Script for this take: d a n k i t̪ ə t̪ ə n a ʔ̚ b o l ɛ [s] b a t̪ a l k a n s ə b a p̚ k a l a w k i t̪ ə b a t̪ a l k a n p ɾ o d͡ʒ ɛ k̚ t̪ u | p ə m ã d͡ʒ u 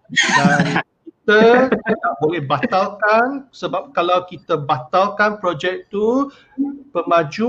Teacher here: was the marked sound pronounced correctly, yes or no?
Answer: no